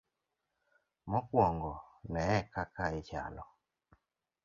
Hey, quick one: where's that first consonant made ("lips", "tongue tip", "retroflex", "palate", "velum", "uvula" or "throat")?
lips